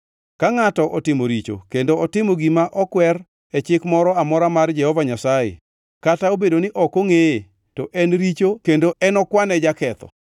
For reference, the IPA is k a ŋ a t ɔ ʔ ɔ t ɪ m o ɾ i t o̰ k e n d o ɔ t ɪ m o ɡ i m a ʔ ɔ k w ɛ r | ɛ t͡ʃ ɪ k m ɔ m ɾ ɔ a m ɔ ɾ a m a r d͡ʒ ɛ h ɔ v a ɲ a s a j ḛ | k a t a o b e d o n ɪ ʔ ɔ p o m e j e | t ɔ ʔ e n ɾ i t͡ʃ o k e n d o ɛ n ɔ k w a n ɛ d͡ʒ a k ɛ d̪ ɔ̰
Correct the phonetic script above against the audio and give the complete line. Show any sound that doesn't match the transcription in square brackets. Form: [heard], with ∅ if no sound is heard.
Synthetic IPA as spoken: k a ŋ a t ɔ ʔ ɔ t ɪ m o ɾ i [t͡ʃ] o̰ k e n d o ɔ t ɪ m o ɡ i m a ʔ ɔ k w ɛ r | ɛ t͡ʃ ɪ k m ɔ [∅] ɾ ɔ a m ɔ ɾ a m a r d͡ʒ ɛ h ɔ v a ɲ a s a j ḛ | k a t a o b e d o n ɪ ʔ ɔ [k] o [ŋ] e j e | t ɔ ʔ [ɛ] n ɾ i t͡ʃ o k e n d o ɛ n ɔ k w a n ɛ d͡ʒ a k ɛ [t̪] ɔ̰